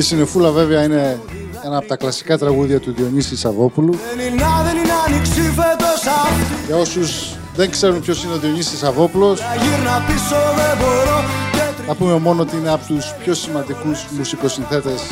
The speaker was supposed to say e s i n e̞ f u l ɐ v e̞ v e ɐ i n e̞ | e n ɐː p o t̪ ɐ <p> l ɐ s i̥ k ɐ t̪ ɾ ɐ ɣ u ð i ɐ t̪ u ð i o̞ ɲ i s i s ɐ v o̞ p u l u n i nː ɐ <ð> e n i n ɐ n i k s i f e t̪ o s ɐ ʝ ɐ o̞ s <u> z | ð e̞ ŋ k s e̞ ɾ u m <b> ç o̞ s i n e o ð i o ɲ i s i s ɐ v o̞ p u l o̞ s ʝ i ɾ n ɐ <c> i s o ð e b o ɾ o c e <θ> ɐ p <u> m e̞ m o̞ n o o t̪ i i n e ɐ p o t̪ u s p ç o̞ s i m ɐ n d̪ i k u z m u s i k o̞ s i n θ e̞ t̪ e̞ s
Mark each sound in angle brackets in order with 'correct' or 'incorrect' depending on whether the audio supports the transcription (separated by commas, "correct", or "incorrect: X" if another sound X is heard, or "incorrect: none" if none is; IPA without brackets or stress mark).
incorrect: k, correct, correct, incorrect: p, incorrect: p, correct, correct